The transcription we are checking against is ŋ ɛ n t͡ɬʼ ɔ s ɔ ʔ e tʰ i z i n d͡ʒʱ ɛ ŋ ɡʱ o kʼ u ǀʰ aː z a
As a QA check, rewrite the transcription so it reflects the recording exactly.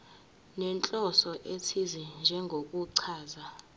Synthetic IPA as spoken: n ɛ n t͡ɬʼ ɔ s ɔ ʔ e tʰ i z i n d͡ʒʱ ɛ ŋ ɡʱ o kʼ u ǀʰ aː z a